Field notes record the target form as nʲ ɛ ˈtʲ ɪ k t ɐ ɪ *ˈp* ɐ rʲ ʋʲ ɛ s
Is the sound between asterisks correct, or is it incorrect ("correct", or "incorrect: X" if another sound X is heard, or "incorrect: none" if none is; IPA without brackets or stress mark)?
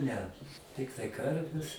incorrect: k